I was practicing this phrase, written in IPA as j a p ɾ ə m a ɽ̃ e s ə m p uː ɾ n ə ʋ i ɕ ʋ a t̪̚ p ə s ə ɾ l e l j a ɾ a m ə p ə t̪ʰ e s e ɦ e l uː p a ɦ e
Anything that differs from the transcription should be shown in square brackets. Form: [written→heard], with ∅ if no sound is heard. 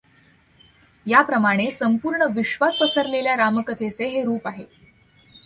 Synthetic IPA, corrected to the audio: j a p ɾ ə m a ɽ̃ e s ə m p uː ɾ [n→ɳ] ə ʋ i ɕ ʋ a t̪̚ p ə s ə ɾ l e l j a ɾ a m ə [p→k] ə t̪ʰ e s e ɦ e [l→ɾ] uː p a ɦ e